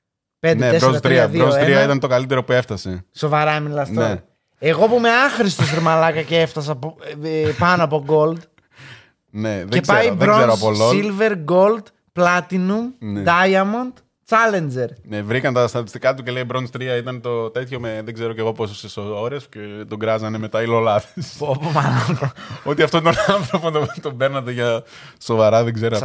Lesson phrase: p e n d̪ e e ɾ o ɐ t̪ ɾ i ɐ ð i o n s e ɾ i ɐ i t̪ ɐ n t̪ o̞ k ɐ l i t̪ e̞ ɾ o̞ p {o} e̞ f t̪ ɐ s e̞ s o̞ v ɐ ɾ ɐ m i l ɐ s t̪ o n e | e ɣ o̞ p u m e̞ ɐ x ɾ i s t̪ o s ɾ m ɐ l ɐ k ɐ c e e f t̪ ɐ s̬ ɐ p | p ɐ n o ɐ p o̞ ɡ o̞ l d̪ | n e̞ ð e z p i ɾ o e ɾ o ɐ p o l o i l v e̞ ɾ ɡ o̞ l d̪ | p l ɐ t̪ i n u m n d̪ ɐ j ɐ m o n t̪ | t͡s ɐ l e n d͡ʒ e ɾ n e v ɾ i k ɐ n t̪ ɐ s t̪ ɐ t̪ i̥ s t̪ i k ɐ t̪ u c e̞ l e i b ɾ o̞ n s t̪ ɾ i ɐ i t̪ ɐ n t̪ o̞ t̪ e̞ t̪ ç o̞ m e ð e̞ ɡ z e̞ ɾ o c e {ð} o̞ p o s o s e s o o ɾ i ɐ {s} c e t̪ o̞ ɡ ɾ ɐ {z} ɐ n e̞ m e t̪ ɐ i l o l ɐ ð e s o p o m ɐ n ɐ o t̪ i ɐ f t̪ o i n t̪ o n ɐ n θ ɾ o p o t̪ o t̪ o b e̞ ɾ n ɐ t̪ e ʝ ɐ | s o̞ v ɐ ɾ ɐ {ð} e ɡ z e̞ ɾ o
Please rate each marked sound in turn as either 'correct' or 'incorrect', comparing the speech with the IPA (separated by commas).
incorrect, incorrect, correct, correct, correct